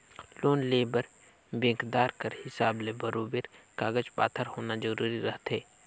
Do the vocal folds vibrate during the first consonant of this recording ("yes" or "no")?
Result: yes